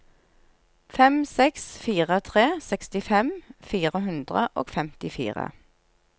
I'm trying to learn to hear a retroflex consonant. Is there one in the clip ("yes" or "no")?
no